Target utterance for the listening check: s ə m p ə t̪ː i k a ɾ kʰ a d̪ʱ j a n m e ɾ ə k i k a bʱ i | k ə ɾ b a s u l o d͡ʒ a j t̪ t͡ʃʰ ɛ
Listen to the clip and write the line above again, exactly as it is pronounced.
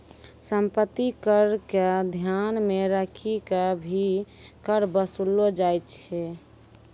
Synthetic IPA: s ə m p ə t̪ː i k ə ɾ k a d̪ʱ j a n m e ɾ ə kʰ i k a bʱ i | k ə ɾ b ə s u l o d͡ʒ a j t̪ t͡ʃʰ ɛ

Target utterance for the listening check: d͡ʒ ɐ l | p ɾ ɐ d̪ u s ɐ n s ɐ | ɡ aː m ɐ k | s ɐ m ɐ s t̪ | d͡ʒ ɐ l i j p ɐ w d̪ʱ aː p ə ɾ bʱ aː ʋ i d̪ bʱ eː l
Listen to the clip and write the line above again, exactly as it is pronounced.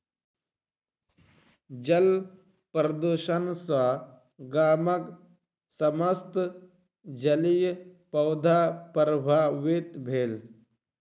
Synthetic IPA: d͡ʒ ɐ l | p ɾ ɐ d̪ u ʃ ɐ n s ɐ | ɡ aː m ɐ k | s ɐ m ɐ s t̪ | d͡ʒ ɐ l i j p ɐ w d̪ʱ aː p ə ɾ bʱ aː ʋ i t̪ bʱ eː l

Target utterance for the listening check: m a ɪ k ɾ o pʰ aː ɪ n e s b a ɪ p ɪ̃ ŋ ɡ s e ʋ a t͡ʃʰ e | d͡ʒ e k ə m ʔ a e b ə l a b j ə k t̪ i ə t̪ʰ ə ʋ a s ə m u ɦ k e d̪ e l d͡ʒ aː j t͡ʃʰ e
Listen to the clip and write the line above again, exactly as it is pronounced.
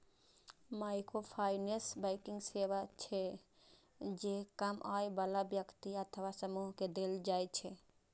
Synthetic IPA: m a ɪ k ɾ o pʰ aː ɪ n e s b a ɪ k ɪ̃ ŋ ɡ s e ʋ a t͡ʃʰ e | d͡ʒ e k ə m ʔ a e b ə l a b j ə k t̪ i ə t̪ʰ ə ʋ a s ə m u ɦ k e d̪ e l d͡ʒ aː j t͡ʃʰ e

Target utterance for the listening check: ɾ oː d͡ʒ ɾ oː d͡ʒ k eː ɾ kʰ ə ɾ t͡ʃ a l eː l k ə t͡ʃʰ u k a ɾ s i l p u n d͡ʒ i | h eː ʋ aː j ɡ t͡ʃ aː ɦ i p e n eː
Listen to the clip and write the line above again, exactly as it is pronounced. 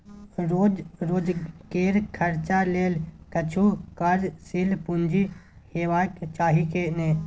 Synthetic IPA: ɾ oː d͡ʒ ɾ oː d͡ʒ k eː ɾ kʰ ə ɾ t͡ʃ a l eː l k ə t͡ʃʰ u k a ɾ s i l p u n d͡ʒ i | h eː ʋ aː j k t͡ʃ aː ɦ i k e n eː

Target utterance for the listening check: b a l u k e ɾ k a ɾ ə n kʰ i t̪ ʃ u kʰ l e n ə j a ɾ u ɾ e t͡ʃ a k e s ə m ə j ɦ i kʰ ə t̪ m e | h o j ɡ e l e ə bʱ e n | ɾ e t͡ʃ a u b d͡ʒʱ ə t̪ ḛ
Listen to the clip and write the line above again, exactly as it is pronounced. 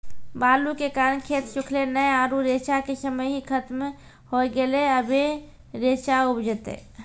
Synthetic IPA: b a l u k e k a ɾ ə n kʰ e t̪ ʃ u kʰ l e n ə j a ɾ u ɾ e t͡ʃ a k e s ə m ə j ɦ i kʰ ə t̪ m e | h o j ɡ e l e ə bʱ e | ɾ e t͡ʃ a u b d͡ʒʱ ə t̪ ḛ

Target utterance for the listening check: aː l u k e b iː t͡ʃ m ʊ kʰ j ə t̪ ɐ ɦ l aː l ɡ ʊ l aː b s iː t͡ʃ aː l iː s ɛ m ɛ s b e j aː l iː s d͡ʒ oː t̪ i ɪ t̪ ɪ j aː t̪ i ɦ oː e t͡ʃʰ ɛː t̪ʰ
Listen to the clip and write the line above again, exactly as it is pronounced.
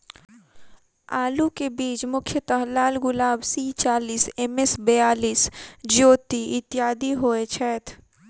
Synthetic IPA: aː l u k e b iː t͡ʃ m ʊ kʰ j ə t̪ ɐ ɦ l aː l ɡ ʊ l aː b s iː t͡ʃ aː l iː s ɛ m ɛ s b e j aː l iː s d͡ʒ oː t̪ i ɪ t̪ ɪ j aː d̪ i ɦ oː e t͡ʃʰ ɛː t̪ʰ

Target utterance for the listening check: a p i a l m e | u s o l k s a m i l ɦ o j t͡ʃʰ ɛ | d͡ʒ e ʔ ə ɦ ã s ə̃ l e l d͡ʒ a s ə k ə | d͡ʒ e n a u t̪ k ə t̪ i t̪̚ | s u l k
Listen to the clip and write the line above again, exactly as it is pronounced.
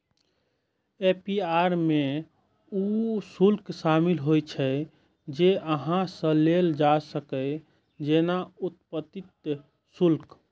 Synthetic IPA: e p i a ɾ m e | u s u l k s a m i l ɦ o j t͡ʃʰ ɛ | d͡ʒ e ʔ ə ɦ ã s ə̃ l e l d͡ʒ a s ə k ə | d͡ʒ e n a u t̪ p ə t̪ i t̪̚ | s u l k

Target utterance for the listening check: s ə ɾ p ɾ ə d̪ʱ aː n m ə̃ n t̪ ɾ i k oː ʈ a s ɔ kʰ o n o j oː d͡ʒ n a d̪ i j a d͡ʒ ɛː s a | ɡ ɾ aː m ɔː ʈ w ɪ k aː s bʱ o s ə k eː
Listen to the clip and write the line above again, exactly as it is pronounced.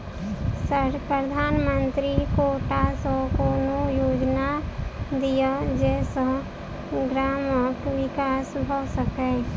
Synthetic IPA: s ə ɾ p ɾ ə d̪ʱ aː n m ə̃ n t̪ ɾ i k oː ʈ a s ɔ k o n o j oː d͡ʒ n a d̪ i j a d͡ʒ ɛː s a | ɡ ɾ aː m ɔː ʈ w ɪ k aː s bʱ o s ə k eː

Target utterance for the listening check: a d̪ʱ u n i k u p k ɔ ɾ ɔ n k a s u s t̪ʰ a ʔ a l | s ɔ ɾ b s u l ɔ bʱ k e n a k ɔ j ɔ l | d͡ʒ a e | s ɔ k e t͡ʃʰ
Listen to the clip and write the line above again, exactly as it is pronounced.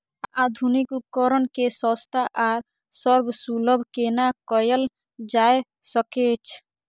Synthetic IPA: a d̪ʱ u n i k u p k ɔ ɾ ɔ n k e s ɔ s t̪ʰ a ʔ a ɾ | s ɔ ɾ b s u l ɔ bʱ k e n a k ɔ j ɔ l | d͡ʒ a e | s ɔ k e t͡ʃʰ

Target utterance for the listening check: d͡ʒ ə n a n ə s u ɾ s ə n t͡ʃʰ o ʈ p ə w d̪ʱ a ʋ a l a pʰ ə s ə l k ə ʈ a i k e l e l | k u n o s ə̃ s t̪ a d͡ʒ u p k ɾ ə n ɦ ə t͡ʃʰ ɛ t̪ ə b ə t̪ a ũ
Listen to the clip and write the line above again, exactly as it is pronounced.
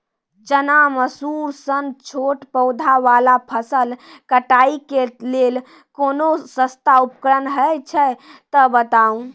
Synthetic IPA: d͡ʒ ə n a m ə s u ɾ s ə n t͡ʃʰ o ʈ p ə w d̪ʱ a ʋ a l a pʰ ə s ə l k ə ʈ a i k e l e l | k o n o s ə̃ s t̪ a u p k ɾ ə n ɦ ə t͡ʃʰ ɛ t̪ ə b ə t̪ a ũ

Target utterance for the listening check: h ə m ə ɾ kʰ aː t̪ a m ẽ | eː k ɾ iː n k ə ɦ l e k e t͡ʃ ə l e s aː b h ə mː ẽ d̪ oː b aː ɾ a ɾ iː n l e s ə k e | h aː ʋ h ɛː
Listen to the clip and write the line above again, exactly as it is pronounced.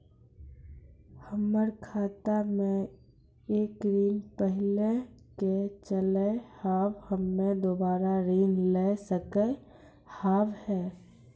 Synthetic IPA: h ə m ə ɾ kʰ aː t̪ a m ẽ | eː k ɾ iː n p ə ɦ l e k e t͡ʃ ə l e h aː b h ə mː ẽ d̪ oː b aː ɾ a ɾ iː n l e s ə k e | h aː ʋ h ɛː

